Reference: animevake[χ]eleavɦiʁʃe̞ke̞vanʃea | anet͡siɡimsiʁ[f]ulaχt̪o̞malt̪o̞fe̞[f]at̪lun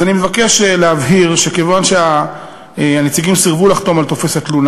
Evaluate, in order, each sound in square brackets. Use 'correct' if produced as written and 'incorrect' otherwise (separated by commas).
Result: incorrect, incorrect, incorrect